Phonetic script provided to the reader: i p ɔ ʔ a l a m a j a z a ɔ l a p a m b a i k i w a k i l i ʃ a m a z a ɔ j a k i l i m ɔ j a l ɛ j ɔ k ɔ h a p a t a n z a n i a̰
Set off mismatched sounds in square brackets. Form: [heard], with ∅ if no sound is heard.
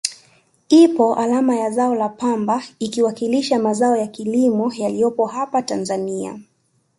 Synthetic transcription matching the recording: i p ɔ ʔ a l a m a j a z a ɔ l a p a m b a i k i w a k i l i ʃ a m a z a ɔ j a k i l i m ɔ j a l [i] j ɔ [p] ɔ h a p a t a n z a n i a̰